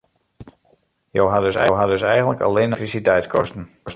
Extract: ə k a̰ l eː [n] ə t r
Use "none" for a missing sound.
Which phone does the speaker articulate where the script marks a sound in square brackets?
n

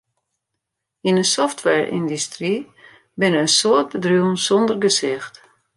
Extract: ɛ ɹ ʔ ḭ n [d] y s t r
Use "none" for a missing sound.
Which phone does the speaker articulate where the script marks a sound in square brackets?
d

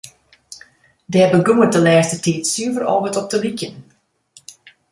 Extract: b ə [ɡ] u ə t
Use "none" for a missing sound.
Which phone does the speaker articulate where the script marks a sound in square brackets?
ɡ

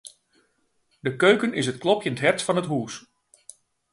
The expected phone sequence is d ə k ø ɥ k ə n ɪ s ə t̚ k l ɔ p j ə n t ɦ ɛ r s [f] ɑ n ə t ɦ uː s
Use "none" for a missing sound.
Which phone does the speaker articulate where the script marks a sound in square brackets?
f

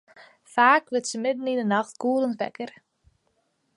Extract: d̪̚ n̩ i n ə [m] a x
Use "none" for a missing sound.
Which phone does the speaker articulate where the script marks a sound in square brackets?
n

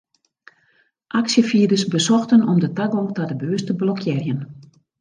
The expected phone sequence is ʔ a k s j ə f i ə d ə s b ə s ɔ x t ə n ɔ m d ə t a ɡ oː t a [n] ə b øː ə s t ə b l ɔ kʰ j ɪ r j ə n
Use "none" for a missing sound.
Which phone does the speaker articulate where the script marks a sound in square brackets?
d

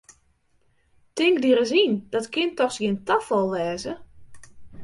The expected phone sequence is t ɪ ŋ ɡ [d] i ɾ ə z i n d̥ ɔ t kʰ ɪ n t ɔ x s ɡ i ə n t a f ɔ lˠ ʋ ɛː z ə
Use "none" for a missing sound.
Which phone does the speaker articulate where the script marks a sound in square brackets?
d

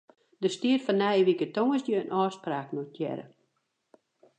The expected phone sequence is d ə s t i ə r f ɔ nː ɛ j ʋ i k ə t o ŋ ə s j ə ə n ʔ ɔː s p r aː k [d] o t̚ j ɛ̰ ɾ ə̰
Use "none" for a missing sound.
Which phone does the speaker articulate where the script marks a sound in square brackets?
n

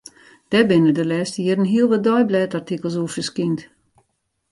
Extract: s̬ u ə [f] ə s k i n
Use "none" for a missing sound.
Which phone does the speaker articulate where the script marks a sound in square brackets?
f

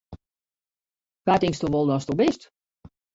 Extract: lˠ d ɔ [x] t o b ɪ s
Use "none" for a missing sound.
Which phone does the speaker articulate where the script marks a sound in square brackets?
s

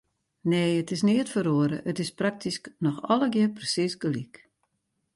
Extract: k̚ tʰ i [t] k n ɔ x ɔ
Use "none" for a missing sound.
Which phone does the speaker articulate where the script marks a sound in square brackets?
s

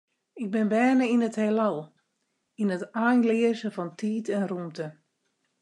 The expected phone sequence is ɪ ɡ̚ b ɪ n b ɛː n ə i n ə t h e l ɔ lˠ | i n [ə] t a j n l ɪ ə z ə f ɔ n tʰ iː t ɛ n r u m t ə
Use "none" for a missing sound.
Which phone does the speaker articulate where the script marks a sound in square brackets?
ə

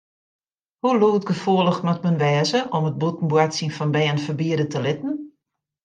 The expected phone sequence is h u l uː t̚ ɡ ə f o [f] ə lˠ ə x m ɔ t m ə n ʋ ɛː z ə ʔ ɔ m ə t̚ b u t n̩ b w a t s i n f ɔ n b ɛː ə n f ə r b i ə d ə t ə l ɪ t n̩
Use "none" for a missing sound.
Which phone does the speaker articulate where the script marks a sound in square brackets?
none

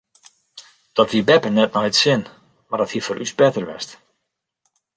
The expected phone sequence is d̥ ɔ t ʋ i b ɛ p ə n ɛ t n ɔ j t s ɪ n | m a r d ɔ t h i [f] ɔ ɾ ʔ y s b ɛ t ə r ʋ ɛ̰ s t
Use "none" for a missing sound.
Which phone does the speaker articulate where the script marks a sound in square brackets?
f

